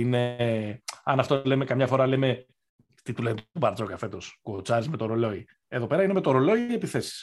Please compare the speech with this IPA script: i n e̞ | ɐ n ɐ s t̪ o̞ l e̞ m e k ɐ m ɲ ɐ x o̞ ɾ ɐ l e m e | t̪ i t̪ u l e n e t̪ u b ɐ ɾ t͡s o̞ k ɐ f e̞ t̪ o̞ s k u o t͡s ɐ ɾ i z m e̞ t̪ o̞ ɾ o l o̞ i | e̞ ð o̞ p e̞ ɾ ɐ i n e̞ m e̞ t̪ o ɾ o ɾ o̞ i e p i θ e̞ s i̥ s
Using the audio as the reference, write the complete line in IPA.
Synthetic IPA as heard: i n e̞ | ɐ n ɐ f t̪ o̞ l e̞ m e k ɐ m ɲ ɐ f o̞ ɾ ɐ l e m e | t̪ i t̪ u l e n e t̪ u b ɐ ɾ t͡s o̞ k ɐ f e̞ t̪ o̞ s k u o t͡s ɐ ɾ i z m e̞ t̪ o̞ ɾ o l o̞ i | e̞ ð o̞ p e̞ ɾ ɐ i n e̞ m e̞ t̪ o ɾ o l o̞ i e p i θ e̞ s i̥ s